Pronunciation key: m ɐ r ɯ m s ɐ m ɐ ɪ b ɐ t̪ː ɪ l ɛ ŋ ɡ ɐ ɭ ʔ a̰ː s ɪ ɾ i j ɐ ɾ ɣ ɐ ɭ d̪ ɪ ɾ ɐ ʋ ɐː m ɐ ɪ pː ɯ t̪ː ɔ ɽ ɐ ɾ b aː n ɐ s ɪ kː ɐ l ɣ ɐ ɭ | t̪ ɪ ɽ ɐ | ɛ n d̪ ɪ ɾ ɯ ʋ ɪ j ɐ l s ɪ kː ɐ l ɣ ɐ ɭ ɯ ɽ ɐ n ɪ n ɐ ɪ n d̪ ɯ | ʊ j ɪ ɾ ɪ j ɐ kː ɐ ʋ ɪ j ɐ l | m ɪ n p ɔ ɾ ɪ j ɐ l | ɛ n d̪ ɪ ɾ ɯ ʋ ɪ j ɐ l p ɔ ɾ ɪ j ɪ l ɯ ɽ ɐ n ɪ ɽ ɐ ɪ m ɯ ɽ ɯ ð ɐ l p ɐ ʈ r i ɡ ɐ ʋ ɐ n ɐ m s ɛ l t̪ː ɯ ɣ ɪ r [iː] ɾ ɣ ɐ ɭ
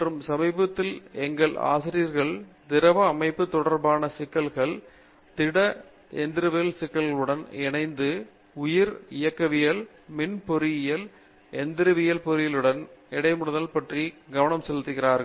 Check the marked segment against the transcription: incorrect: aː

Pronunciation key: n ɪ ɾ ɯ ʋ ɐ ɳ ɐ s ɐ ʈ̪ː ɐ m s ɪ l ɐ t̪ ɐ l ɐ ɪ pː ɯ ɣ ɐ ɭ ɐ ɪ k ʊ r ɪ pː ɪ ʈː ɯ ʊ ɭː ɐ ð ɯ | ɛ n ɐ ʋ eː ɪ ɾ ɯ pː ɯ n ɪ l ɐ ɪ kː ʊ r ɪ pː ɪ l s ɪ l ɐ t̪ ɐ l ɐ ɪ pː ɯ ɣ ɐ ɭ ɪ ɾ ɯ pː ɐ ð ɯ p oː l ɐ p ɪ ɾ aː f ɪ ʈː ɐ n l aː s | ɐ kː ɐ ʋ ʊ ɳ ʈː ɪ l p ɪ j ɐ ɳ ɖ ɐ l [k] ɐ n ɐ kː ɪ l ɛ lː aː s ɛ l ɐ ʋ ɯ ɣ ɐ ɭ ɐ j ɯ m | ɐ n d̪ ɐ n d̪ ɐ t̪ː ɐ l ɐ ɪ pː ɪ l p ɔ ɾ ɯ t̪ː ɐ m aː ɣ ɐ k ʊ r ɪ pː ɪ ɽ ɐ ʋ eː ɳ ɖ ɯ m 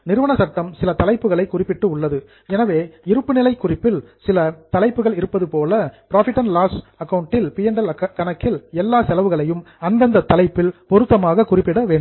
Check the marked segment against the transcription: correct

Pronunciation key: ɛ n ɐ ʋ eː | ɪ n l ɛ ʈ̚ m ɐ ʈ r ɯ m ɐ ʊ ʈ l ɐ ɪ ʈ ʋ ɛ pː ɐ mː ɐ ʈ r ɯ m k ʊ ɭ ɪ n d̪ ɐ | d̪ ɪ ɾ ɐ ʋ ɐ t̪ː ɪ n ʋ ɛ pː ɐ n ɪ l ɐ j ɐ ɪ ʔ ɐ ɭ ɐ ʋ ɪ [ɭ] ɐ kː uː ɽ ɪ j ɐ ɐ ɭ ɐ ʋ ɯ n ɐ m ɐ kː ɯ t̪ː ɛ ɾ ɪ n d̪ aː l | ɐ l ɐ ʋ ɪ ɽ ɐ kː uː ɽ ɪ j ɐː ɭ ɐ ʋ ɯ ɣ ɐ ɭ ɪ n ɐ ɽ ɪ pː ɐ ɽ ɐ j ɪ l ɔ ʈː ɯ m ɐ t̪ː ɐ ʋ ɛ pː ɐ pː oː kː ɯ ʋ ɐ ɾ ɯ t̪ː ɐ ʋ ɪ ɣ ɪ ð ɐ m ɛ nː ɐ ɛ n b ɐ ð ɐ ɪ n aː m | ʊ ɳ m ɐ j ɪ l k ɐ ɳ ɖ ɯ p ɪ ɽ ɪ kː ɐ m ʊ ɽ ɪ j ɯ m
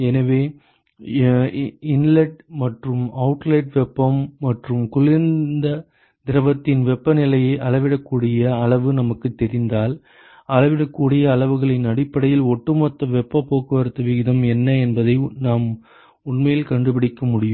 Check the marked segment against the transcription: incorrect: ɽ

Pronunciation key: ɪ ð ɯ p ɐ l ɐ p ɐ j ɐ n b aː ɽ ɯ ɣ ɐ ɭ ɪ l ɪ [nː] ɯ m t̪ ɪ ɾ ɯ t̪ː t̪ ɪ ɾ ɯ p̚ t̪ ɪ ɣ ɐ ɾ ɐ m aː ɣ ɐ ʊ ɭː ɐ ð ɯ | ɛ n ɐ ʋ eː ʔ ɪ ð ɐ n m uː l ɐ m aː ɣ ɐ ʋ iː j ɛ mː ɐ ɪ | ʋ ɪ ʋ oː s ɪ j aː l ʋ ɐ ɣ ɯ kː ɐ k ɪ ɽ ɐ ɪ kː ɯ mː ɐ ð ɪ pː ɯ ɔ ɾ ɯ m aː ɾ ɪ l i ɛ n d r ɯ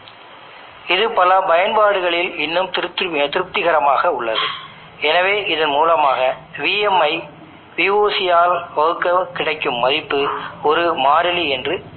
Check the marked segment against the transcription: correct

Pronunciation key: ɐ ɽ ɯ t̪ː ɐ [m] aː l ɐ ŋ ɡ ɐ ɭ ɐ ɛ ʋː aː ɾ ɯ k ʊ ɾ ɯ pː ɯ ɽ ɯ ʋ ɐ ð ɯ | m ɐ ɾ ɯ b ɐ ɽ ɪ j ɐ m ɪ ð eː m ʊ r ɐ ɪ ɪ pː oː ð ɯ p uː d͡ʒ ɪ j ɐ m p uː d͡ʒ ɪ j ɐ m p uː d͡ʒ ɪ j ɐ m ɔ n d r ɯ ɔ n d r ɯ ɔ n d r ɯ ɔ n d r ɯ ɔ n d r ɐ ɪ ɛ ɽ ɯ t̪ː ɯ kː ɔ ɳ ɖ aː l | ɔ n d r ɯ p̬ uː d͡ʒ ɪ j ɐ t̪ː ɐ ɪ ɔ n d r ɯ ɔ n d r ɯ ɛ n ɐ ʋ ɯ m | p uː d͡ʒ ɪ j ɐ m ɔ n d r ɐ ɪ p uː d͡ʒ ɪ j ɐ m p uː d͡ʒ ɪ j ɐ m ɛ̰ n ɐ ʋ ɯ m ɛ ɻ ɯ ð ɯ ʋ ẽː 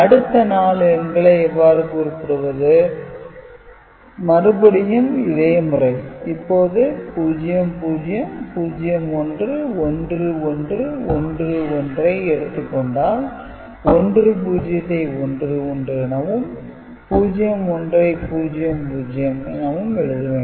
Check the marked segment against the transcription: incorrect: n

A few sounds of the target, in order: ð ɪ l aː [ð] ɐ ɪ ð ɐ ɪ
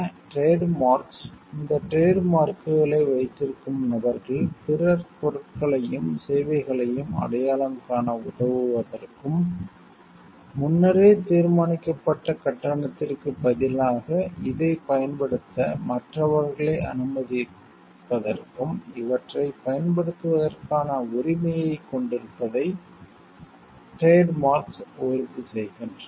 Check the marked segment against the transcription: incorrect: ɣ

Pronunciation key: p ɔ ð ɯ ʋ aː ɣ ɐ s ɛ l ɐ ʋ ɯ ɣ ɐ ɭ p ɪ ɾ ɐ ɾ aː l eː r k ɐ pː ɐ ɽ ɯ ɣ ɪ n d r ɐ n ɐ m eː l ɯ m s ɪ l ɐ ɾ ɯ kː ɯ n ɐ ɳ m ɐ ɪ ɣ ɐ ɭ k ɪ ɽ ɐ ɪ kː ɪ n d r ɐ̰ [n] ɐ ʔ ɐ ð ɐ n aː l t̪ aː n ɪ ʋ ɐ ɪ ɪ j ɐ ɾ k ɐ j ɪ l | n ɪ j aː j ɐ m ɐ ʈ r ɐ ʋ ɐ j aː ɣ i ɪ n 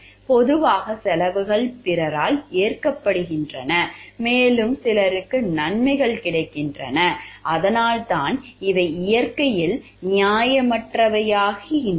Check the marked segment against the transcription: correct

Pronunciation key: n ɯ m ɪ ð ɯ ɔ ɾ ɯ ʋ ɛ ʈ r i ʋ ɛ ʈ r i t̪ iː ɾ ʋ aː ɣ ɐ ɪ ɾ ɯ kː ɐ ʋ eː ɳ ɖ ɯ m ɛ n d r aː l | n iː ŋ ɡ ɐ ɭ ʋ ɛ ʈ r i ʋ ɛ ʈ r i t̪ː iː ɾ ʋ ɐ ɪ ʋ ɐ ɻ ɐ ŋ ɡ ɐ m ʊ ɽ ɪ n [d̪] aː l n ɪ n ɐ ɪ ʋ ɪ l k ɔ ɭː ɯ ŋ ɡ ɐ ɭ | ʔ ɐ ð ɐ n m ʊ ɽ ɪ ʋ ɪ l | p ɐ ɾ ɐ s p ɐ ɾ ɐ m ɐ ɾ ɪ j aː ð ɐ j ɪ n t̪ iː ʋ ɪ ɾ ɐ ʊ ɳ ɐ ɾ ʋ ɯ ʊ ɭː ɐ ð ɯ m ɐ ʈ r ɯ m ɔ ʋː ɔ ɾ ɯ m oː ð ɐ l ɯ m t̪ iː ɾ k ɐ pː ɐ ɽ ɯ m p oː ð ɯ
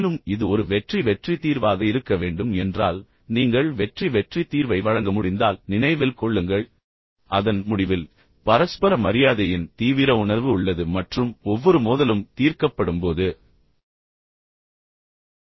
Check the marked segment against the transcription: correct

